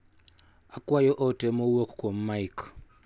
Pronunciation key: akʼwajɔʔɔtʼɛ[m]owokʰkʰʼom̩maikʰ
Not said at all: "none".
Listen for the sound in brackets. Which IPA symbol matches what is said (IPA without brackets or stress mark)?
m